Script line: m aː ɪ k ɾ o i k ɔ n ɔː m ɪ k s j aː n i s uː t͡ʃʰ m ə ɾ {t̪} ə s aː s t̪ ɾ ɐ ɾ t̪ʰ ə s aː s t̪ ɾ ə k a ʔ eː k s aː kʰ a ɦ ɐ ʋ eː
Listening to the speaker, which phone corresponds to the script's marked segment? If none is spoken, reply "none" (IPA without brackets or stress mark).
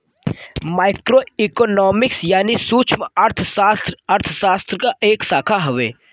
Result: t̪ʰ